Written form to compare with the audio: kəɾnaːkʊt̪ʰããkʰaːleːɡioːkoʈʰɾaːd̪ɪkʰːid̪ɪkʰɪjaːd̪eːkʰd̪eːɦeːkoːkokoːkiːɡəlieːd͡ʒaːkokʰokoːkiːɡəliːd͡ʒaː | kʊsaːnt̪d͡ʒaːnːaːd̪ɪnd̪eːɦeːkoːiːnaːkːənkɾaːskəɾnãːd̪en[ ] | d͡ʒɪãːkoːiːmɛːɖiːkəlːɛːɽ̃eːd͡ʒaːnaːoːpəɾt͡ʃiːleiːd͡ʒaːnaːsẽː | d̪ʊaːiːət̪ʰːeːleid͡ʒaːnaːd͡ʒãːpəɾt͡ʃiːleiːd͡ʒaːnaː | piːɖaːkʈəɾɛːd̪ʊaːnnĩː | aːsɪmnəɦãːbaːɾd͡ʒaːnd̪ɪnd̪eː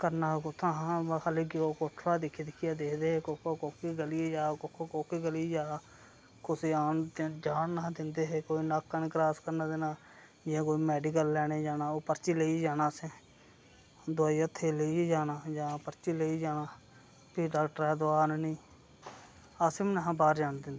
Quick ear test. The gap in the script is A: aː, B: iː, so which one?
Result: A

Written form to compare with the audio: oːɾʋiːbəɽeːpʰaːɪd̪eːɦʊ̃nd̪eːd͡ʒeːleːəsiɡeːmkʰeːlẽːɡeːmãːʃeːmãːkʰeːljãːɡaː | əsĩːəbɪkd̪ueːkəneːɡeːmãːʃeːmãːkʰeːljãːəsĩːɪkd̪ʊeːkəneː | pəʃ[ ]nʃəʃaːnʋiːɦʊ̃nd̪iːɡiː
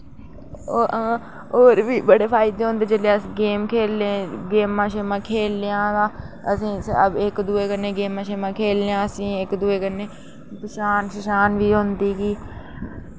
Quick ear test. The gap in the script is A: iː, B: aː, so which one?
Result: B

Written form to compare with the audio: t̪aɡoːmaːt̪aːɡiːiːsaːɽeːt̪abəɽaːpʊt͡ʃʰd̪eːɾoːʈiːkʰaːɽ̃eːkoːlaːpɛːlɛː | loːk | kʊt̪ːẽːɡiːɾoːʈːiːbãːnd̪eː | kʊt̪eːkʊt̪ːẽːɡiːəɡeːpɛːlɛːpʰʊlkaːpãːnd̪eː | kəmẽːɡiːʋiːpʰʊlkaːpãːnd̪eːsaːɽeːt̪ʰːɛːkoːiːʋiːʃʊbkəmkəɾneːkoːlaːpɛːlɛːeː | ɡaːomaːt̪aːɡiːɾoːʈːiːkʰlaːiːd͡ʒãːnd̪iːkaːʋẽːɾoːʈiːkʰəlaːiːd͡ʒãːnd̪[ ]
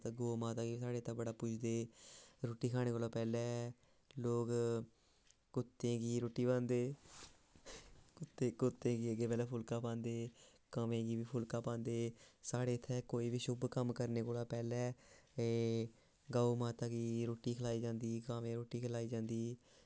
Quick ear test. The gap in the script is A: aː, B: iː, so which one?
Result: B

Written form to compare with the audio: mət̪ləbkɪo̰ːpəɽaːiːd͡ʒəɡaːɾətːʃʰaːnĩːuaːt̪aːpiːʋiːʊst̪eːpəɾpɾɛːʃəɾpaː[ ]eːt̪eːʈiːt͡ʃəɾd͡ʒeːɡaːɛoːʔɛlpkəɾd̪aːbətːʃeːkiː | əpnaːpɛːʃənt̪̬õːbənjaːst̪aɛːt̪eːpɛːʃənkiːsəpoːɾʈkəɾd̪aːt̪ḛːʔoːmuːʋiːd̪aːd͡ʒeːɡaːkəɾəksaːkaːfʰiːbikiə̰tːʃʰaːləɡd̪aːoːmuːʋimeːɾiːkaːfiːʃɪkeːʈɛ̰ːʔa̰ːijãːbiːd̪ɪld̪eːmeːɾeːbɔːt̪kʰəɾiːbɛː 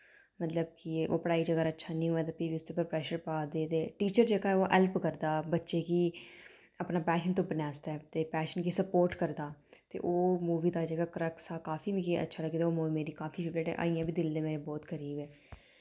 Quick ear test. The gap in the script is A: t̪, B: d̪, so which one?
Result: B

